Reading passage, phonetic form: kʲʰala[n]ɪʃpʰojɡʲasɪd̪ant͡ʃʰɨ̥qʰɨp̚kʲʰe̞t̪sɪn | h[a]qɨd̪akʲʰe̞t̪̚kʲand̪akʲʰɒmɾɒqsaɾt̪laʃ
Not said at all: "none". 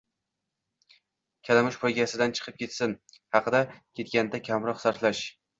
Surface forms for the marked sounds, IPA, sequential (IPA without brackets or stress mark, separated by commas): m, ɑ